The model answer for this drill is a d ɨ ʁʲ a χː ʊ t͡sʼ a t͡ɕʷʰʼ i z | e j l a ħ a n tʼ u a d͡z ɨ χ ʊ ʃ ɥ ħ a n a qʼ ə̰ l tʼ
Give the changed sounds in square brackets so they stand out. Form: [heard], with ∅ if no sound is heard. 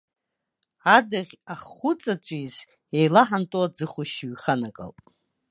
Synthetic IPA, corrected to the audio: a d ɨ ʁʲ a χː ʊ t͡sʼ a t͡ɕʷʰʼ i z | e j l a ħ a n tʼ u a d͡z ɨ χ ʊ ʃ ɥ [χ] a n a [kʼ] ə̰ l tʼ

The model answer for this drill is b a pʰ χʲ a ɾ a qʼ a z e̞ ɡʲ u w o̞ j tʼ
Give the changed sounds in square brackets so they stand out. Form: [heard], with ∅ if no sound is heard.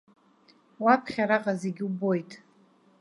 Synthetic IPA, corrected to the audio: [w] a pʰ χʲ a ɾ a qʼ a z e̞ ɡʲ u [b] o̞ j tʼ

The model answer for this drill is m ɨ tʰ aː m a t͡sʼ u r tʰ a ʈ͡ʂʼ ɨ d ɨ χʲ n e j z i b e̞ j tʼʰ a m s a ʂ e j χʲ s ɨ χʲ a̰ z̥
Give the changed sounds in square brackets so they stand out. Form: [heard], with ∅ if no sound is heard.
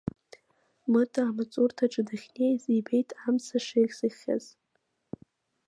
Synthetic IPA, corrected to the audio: m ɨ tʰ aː m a t͡sʼ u r tʰ a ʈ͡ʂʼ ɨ d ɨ χʲ n e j z i b e̞ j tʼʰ a m s a ʂ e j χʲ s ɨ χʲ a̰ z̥

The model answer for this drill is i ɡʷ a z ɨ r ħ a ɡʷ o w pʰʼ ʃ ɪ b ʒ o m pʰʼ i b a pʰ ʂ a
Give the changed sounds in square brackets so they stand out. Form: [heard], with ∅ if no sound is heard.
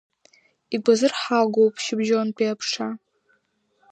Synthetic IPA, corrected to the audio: i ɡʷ a z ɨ r ħ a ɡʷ o w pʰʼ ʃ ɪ b ʒ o [n] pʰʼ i [∅] a pʰ ʂ a

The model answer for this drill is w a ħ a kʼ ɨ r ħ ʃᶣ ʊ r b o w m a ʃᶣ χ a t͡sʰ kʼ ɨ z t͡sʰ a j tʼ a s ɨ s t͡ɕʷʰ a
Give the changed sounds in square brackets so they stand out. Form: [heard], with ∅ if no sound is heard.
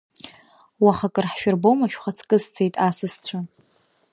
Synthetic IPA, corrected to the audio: w a [χ] a kʼ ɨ r ħ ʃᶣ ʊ r b o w m a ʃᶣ χ a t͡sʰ kʼ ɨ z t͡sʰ [e] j tʼ a s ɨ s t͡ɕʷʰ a

